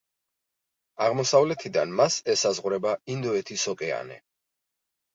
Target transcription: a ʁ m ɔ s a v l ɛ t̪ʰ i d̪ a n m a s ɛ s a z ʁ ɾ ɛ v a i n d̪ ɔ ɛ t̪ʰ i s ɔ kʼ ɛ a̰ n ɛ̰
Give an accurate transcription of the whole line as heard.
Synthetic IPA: a ʁ m ɔ s a v l ɛ t̪ʰ i d̪ a n m a s ɛ s a z ʁ ɾ ɛ b a i n d̪ ɔ ɛ t̪ʰ i s ɔ kʼ ɛ a̰ n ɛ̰